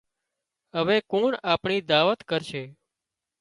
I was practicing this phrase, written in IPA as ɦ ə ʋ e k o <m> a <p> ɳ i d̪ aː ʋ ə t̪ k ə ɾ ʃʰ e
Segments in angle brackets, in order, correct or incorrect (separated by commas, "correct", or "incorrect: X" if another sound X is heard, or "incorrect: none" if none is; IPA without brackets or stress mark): incorrect: ɳ, correct